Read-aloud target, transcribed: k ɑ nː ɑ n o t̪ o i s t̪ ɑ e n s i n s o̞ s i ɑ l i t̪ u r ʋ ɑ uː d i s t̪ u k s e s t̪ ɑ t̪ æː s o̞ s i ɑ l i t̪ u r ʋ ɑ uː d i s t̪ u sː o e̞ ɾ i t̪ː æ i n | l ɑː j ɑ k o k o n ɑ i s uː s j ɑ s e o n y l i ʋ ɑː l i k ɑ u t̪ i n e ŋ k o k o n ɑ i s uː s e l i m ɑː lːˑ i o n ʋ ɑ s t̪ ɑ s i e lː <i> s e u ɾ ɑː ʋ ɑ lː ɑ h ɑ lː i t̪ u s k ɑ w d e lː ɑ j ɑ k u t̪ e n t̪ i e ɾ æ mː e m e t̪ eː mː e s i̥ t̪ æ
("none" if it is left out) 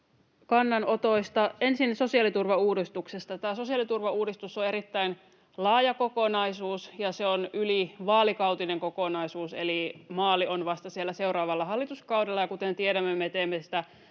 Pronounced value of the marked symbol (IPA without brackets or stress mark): æ